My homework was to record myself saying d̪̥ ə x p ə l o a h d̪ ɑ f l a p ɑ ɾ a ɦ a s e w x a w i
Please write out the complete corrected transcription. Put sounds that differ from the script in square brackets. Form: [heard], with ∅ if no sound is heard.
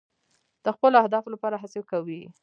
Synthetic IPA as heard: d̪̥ ə x p ə l o a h d̪ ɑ f l a p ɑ ɾ a ɦ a s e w [k] a w i